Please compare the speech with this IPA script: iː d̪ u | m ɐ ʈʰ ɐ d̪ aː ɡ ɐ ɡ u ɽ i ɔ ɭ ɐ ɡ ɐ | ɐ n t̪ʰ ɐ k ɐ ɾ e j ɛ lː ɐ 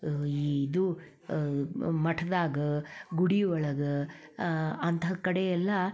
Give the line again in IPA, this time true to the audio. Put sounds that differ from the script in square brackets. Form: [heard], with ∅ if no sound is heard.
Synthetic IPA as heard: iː d̪ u | m ɐ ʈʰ ɐ d̪ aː ɡ ɐ ɡ u ɽ i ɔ ɭ ɐ ɡ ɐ | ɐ n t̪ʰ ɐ k ɐ [ɽ] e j ɛ lː ɐ